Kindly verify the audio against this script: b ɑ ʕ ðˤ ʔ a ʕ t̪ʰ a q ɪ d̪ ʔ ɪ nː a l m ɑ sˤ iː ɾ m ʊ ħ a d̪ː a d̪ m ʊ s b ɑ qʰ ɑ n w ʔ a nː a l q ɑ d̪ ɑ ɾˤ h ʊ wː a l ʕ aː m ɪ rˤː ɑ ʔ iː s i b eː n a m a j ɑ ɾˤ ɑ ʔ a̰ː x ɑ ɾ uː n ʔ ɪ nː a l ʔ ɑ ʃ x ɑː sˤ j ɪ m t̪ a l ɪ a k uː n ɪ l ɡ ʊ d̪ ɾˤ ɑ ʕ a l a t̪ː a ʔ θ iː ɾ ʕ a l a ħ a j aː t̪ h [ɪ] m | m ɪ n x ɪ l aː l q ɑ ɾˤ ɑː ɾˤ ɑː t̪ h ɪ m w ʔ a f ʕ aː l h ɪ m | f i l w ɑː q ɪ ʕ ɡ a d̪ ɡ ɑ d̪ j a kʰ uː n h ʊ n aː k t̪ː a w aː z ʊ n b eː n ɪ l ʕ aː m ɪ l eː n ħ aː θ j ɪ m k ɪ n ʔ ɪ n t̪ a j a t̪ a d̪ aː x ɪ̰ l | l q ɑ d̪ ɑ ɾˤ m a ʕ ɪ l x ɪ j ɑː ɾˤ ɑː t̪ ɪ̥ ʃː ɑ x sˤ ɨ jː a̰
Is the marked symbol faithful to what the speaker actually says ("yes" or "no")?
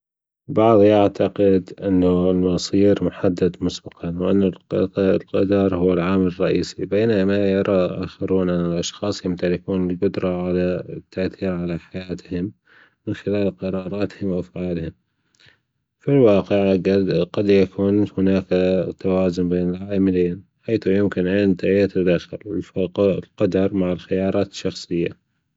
yes